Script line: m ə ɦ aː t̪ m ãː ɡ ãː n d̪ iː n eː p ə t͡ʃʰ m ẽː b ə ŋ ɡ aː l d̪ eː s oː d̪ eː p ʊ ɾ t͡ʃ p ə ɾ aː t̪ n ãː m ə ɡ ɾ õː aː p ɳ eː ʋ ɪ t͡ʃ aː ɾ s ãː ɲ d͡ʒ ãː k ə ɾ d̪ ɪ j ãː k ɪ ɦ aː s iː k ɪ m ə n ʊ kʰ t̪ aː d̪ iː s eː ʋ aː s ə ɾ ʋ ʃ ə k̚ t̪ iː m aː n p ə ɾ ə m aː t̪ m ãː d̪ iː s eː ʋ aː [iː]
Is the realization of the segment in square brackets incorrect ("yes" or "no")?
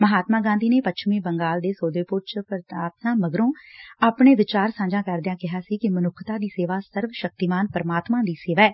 yes